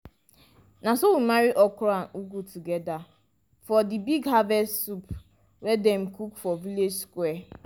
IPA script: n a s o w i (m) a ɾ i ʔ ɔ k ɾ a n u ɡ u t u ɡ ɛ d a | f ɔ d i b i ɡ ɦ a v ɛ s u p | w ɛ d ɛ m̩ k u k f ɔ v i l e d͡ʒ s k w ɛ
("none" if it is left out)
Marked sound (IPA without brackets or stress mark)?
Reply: m